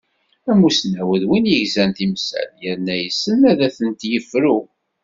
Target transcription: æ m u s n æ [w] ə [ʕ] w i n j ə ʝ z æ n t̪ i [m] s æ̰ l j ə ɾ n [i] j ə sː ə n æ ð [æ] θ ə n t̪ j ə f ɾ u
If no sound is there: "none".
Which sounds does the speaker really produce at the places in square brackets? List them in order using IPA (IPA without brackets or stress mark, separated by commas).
w, ð, m, æ, æ